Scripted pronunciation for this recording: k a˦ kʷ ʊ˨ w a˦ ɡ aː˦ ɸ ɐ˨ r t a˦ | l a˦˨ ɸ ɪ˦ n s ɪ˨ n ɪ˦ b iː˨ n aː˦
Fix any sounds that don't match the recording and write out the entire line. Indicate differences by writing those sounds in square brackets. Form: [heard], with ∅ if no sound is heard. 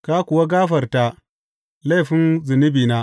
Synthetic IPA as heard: k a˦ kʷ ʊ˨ w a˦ ɡ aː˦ ɸ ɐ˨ r t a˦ | l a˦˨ ɸ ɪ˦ n [z] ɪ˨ n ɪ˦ b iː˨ n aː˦